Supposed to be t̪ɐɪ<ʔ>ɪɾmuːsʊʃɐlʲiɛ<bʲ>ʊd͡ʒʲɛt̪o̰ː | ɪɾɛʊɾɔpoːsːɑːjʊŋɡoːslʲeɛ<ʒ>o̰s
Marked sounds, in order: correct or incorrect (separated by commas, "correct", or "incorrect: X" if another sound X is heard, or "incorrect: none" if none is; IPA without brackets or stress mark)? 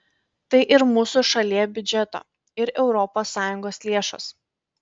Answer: correct, correct, incorrect: ʃ